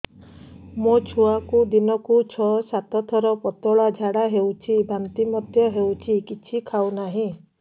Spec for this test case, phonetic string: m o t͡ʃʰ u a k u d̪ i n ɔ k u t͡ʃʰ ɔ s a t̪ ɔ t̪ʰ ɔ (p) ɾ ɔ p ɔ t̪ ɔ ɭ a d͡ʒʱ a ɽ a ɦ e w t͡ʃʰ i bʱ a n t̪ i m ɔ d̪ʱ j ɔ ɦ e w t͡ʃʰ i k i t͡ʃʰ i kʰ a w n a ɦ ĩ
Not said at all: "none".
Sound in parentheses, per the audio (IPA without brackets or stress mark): none